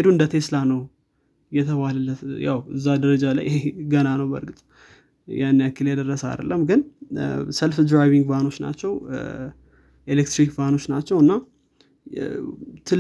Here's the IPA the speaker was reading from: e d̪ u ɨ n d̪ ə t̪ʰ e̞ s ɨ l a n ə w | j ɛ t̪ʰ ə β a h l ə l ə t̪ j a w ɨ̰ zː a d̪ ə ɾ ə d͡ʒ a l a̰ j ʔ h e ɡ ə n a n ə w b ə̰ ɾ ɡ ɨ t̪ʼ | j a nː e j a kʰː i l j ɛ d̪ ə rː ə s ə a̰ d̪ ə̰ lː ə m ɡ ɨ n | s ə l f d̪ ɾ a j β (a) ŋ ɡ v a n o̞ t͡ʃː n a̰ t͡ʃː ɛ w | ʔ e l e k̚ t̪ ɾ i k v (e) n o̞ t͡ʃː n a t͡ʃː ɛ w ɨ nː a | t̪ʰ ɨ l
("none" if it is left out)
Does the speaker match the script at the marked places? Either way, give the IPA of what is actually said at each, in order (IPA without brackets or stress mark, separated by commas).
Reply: i, a